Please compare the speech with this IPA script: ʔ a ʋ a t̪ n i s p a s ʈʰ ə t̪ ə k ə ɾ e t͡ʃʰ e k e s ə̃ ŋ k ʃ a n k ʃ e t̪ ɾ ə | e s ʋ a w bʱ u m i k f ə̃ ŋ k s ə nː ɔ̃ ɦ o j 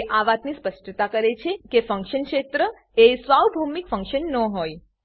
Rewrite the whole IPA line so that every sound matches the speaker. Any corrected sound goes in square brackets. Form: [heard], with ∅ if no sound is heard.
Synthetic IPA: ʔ a ʋ a t̪ n i s p [ə] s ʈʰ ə t̪ [a] k ə ɾ e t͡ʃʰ e k e [f] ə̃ ŋ k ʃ [ə] n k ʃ e t̪ ɾ ə | e s ʋ a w bʱ u m i k f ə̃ ŋ k [ʃ] ə nː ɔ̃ ɦ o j